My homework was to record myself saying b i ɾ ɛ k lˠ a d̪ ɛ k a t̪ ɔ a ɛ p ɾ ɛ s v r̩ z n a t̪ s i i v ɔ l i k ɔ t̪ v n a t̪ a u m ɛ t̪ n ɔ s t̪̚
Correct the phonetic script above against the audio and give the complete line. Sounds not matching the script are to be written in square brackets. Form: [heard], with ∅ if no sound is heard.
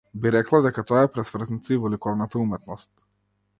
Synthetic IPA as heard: b i ɾ ɛ k lˠ a d̪ ɛ k a t̪ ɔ a ɛ p ɾ ɛ s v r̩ z n [i] t̪ s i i v ɔ l i k ɔ [∅] v n a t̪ a u m ɛ t̪ n ɔ s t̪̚